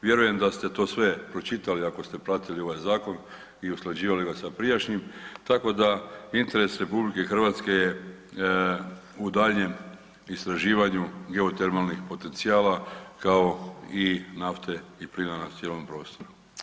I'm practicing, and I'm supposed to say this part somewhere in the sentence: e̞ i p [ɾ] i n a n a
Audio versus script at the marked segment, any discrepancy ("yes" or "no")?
yes